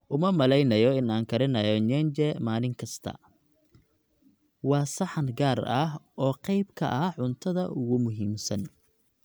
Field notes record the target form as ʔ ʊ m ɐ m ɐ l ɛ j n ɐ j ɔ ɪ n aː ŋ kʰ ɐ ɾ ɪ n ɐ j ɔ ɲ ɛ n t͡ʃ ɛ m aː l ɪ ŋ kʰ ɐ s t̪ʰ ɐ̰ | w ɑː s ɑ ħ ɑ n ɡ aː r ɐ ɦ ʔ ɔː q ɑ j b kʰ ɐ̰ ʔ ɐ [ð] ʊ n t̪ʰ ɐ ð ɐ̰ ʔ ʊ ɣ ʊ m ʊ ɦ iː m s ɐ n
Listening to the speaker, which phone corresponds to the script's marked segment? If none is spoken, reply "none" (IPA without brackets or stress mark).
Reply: ʕ